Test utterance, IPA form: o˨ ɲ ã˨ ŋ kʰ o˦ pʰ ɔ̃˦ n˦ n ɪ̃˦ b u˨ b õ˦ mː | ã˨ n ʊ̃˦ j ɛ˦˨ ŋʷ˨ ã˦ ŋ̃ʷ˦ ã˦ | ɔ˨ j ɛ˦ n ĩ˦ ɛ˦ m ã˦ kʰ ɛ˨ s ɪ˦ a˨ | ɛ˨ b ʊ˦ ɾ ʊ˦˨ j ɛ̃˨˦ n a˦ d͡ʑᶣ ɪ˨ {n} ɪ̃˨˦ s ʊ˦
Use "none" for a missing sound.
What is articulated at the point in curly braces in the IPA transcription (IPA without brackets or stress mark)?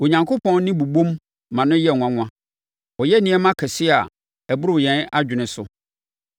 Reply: n